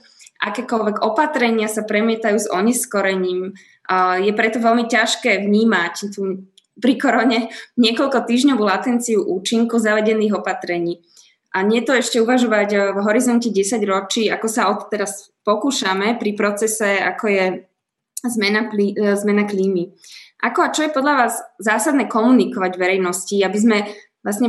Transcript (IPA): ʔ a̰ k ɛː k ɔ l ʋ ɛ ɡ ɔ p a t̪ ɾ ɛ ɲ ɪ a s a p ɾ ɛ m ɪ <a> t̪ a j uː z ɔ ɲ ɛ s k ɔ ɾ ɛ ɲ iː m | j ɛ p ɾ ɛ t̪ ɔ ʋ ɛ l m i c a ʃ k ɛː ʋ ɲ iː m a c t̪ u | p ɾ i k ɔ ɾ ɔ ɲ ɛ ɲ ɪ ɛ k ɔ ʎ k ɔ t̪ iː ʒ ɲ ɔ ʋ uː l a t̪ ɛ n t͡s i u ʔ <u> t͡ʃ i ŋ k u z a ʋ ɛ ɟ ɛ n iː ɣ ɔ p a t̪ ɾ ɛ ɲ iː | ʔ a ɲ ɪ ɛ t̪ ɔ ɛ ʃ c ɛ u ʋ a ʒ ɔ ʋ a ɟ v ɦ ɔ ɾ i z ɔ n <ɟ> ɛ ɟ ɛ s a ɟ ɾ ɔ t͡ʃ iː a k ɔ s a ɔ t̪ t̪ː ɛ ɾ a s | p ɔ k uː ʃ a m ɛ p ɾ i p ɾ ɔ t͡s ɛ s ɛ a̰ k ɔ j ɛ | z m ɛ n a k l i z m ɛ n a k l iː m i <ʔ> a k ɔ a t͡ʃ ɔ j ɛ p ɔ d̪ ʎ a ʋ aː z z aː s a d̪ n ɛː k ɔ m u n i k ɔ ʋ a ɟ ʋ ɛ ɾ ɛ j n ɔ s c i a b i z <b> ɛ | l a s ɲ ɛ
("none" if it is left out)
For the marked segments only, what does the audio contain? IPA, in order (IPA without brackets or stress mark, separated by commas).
ɛ, uː, c, ʔ, m